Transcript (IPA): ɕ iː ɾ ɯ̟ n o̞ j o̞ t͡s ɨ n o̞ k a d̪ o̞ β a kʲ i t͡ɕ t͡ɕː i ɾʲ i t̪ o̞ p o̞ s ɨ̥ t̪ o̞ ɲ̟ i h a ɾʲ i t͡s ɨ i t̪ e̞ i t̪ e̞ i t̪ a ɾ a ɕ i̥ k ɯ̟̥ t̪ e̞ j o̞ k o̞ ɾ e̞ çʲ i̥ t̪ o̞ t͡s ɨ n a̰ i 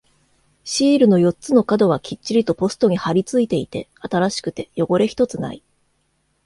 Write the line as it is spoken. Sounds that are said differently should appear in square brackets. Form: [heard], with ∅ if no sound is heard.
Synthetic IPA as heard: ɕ iː ɾ ɯ̟ n o̞ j o̞ t͡s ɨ n o̞ k a d̪ o̞ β a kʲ i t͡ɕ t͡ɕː i ɾʲ i t̪ o̞ p o̞ s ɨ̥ t̪ o̞ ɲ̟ i h a ɾʲ i t͡s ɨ i t̪ e̞ i t̪ e̞ [a] t̪ a ɾ a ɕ i̥ k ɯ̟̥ t̪ e̞ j o̞ [ɡ] o̞ ɾ e̞ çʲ i̥ t̪ o̞ t͡s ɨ n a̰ i